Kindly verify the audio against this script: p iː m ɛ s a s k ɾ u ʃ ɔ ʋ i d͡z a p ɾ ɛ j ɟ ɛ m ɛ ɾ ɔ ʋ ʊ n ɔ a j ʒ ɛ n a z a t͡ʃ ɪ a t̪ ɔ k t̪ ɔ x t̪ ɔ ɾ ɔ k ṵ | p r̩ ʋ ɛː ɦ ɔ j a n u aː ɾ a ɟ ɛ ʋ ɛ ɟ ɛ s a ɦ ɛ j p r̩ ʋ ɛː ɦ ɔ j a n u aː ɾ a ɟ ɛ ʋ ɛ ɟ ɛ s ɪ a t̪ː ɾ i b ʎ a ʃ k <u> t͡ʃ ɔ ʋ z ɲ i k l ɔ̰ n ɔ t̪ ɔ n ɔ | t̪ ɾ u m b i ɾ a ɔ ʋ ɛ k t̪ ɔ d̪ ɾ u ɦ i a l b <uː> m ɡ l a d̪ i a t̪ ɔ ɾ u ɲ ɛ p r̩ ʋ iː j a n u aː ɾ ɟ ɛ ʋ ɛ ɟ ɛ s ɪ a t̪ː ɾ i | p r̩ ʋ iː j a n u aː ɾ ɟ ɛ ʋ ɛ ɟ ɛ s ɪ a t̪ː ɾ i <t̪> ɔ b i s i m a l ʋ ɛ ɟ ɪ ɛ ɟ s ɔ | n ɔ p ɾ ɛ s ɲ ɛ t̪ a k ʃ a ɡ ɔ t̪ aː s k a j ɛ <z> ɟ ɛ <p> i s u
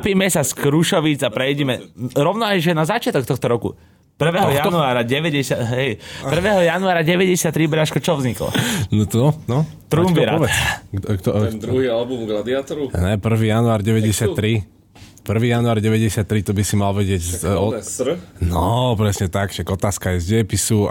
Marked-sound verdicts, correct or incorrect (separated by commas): incorrect, incorrect, correct, correct, correct